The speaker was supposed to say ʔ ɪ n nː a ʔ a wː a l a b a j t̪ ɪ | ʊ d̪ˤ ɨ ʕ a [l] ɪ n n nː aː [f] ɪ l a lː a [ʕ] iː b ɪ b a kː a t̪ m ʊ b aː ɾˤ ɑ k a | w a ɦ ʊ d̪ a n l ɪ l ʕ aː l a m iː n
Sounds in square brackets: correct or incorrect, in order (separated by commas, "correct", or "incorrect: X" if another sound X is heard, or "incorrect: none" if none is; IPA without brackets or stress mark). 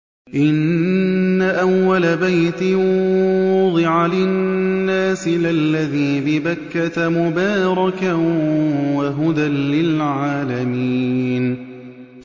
correct, incorrect: s, incorrect: ð